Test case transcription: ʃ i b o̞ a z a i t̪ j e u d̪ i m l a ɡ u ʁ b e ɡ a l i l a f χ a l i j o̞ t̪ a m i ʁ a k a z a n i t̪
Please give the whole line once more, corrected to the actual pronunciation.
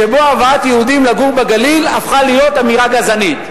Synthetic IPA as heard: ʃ e b o̞ a v a a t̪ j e u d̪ i m l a ɡ u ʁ b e ɡ a l i l a f χ a l i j o̞ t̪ a m i ʁ a ɡ a z a n i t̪